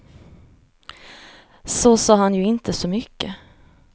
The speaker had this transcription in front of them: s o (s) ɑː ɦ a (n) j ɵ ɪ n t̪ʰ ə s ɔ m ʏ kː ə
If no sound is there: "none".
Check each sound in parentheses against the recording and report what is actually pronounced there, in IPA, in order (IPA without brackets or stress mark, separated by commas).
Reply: s, n